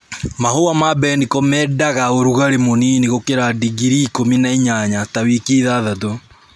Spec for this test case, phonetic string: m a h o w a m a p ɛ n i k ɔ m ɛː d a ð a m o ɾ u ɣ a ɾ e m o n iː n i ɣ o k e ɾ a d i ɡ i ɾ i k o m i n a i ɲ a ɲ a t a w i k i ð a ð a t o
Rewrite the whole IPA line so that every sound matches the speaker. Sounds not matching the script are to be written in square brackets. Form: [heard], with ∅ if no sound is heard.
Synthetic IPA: m a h o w a m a [b] ɛ n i k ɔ m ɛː d a [ɣ] a [∅] o ɾ u ɣ a ɾ e m o n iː n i ɣ o k e ɾ a d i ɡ i ɾ i k o m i n a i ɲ a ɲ a t a w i k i ð a ð a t o